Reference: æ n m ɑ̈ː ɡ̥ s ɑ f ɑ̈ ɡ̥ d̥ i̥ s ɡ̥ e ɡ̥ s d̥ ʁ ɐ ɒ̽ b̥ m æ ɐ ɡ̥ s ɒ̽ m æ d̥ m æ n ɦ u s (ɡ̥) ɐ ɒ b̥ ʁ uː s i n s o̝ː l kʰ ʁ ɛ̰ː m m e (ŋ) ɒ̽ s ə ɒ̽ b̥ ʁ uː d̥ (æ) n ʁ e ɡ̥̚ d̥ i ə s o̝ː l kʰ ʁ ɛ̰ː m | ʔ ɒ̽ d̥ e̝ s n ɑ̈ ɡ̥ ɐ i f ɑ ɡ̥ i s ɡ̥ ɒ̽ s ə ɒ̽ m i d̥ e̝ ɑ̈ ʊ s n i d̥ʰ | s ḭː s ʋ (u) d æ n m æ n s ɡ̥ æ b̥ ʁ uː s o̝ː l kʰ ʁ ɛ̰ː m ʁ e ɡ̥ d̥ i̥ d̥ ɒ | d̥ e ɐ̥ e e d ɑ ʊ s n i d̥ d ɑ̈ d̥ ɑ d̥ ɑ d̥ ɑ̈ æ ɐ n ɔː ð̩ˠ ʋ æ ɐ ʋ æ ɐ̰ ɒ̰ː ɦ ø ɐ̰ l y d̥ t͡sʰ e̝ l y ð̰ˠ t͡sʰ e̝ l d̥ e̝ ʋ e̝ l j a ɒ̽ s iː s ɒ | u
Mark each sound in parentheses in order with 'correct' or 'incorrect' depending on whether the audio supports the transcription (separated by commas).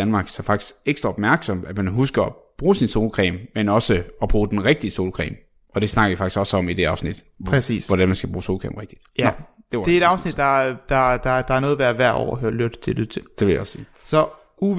correct, incorrect, incorrect, incorrect